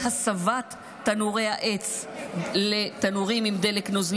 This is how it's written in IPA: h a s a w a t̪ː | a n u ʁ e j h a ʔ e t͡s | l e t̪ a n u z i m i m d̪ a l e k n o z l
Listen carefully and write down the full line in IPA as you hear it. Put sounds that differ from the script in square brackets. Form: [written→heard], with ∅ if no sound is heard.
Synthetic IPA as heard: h a s a [w→v] a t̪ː | a n u ʁ e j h a ʔ e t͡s | l e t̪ a n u [z→ʁ] i m i m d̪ [a→e] l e k n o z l